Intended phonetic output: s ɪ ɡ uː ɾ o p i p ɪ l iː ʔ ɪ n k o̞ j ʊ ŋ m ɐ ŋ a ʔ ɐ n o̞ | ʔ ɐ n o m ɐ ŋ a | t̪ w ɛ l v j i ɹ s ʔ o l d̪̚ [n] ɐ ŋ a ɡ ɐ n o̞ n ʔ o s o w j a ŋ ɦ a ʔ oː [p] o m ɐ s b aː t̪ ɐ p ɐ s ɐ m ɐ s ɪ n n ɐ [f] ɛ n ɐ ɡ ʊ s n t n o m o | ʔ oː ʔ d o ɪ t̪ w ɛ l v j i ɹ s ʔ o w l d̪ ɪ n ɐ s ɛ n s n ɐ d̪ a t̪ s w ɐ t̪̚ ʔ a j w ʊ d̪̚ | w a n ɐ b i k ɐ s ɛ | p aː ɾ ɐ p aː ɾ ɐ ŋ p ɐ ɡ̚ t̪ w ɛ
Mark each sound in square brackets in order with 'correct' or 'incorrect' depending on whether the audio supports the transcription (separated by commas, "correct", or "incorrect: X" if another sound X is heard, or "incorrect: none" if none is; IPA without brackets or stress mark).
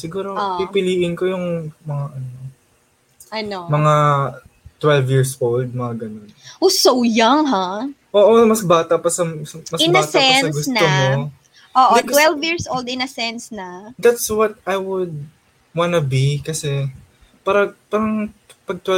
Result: incorrect: m, incorrect: ʔ, incorrect: s